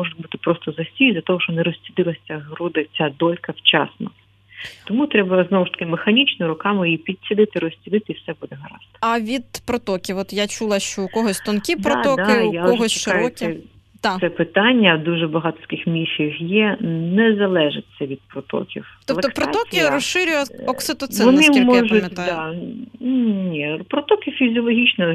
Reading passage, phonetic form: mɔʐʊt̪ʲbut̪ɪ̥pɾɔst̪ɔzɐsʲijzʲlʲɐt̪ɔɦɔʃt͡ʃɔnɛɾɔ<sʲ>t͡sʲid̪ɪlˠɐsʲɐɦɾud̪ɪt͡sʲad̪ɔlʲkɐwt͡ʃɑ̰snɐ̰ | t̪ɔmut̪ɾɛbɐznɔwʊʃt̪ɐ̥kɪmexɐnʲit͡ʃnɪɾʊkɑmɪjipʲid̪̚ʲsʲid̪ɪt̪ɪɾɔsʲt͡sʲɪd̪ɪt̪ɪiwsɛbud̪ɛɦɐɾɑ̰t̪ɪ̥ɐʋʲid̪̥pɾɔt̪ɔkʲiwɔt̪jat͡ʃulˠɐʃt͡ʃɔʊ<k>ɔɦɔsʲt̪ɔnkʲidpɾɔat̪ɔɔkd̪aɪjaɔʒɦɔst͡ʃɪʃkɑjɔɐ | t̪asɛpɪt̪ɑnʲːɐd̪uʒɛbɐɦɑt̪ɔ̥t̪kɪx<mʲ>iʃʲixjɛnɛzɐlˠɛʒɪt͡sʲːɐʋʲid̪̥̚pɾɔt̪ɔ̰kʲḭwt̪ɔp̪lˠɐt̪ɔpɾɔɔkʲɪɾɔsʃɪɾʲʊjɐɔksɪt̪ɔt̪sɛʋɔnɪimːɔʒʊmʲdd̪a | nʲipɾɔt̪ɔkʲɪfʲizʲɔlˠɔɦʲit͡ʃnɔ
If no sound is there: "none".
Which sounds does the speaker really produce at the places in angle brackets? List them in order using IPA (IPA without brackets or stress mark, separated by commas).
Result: sʲ, k, mʲ